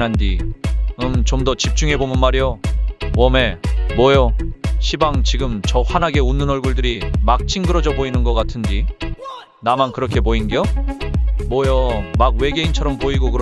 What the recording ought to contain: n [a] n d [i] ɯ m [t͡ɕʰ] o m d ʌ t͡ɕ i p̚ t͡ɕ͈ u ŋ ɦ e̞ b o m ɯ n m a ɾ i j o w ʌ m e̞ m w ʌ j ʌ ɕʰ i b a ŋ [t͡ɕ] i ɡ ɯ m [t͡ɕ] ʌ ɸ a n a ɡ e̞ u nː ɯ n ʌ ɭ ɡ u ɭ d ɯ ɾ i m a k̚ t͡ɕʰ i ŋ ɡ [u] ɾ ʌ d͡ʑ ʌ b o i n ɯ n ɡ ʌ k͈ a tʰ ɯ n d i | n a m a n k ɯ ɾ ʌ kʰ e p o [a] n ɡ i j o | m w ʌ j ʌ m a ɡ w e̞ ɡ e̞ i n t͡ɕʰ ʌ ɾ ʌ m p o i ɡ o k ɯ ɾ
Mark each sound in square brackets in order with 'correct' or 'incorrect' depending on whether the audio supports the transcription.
correct, correct, incorrect, correct, correct, incorrect, incorrect

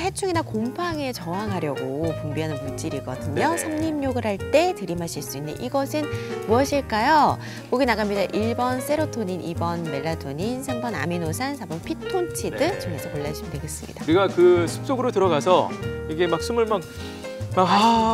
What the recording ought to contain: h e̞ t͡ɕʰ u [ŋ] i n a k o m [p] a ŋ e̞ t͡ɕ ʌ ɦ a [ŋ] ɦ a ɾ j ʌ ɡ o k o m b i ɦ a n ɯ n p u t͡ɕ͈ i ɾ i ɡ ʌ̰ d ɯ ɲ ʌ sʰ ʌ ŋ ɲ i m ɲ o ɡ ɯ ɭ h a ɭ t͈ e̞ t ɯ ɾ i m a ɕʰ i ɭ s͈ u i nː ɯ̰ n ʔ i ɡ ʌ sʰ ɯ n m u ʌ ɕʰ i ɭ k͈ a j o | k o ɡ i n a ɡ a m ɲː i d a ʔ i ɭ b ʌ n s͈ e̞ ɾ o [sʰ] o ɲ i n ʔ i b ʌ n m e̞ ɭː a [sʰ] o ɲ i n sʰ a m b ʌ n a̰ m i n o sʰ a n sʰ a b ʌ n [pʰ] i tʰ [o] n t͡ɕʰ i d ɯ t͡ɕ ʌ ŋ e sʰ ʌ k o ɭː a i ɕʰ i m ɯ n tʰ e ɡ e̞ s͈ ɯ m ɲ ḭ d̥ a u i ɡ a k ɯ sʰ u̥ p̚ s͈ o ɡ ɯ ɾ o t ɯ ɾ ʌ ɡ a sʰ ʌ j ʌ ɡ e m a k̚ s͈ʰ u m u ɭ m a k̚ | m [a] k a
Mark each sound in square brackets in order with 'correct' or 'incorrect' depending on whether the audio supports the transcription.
correct, incorrect, correct, incorrect, incorrect, correct, correct, correct

